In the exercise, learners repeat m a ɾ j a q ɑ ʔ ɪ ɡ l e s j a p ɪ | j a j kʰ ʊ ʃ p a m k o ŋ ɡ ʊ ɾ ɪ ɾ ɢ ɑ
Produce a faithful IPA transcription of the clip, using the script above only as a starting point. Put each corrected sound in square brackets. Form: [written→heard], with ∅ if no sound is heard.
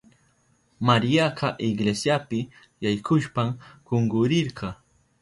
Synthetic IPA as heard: m a ɾ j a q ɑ ʔ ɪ ɡ l e s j a p ɪ | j a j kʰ ʊ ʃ p a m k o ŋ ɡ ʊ ɾ ɪ ɾ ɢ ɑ